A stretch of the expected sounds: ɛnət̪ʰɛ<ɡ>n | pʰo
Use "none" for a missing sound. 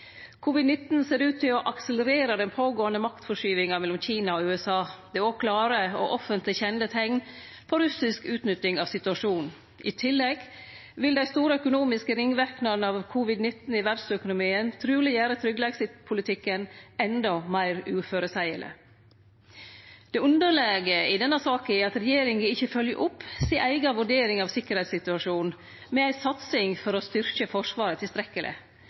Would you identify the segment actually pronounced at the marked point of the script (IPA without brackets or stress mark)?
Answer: ŋ